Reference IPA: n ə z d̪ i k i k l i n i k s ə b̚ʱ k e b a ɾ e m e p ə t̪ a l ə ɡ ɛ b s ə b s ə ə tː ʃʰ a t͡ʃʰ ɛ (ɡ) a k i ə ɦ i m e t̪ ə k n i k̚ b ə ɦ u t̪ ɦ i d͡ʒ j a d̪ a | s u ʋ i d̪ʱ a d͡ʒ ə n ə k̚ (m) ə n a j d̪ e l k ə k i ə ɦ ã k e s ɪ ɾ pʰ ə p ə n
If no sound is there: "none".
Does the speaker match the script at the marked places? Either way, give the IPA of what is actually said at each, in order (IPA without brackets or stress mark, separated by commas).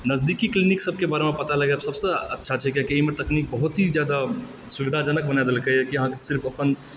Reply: k, b